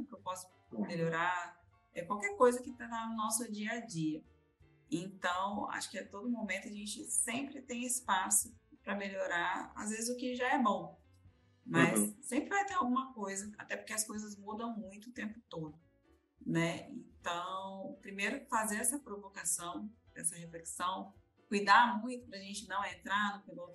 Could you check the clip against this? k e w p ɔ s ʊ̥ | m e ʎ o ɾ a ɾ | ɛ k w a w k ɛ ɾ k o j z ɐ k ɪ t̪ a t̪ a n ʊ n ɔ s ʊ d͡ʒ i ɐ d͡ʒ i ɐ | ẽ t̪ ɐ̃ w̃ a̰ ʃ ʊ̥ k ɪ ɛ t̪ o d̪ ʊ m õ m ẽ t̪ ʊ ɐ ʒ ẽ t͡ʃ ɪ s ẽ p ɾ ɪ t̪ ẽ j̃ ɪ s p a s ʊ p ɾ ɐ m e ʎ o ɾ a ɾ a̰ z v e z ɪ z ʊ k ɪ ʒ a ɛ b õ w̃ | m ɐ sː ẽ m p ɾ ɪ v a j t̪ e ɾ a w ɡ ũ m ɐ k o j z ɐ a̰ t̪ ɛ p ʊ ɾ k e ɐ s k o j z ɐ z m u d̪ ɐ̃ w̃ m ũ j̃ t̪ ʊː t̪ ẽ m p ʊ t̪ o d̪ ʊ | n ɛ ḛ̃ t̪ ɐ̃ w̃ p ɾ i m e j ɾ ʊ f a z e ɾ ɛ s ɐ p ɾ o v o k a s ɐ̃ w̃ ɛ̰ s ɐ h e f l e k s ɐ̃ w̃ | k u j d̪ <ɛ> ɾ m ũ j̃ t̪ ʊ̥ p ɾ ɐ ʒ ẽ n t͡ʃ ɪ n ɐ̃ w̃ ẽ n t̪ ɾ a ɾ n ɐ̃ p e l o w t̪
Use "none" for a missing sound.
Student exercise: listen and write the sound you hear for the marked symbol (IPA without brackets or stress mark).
a